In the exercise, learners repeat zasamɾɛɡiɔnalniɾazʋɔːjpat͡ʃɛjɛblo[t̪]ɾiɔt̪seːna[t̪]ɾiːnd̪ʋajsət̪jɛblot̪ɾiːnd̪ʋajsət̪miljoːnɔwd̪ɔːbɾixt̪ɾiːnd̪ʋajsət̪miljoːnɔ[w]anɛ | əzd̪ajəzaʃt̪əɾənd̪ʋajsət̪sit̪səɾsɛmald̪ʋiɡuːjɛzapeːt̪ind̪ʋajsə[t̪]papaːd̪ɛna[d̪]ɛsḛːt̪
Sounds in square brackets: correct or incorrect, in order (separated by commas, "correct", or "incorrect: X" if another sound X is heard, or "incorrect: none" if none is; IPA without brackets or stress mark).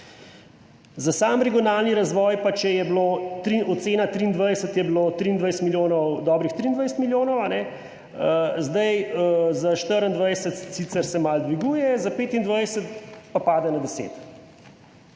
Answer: correct, correct, correct, correct, correct